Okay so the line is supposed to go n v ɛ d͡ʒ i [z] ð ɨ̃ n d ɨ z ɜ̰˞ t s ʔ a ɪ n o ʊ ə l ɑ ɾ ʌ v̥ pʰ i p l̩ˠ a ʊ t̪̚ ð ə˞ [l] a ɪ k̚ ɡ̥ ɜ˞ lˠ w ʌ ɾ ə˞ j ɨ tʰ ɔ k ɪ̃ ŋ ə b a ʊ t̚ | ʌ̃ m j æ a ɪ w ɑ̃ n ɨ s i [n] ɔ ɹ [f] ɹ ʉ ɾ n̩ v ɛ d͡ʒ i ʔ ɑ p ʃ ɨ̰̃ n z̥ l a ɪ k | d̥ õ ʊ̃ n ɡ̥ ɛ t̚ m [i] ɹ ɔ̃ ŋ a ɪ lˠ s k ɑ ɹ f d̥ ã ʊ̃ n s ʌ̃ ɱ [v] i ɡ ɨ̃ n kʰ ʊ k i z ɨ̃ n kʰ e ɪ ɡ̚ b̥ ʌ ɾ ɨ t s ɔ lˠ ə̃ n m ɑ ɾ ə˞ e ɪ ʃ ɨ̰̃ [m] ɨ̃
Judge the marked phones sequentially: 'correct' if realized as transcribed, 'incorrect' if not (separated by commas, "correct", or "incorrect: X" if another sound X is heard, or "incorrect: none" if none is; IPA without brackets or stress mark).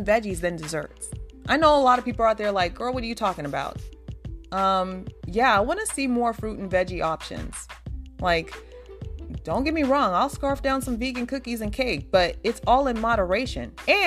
correct, correct, incorrect: m, correct, correct, correct, incorrect: n